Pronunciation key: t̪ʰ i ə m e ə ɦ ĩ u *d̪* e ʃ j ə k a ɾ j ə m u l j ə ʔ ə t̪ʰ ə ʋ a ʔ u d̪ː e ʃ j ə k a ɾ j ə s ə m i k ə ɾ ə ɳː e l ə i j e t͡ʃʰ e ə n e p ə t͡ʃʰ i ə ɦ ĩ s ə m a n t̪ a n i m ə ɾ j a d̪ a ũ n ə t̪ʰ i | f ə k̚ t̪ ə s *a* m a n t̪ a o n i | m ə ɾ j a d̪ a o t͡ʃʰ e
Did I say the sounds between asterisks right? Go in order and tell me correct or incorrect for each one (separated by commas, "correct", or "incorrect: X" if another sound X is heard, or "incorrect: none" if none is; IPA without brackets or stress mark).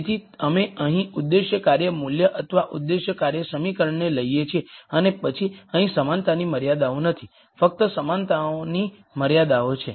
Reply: incorrect: d̪ː, incorrect: ə